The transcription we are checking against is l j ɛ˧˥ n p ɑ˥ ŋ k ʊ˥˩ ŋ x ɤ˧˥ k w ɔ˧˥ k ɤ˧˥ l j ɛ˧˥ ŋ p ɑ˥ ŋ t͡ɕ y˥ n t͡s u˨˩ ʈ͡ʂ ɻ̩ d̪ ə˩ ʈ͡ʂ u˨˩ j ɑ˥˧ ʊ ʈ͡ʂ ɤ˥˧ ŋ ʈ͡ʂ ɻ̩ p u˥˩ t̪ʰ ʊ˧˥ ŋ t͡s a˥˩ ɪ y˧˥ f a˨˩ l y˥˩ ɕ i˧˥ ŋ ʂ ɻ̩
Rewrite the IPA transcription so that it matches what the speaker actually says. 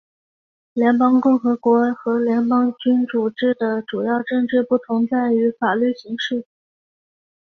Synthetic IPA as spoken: l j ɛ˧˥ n p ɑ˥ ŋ k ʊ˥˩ ŋ x ɤ˧˥ k w ɔ˧˥ x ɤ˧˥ l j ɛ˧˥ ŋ p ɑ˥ ŋ t͡ɕ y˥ n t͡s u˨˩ ʈ͡ʂ ɻ̩ d̪ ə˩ ʈ͡ʂ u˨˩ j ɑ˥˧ ʊ ʈ͡ʂ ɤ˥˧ ŋ ʈ͡ʂ ɻ̩ p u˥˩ t̪ʰ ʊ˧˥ ŋ t͡s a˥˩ ɪ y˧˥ f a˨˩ l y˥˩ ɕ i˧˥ ŋ ʂ ɻ̩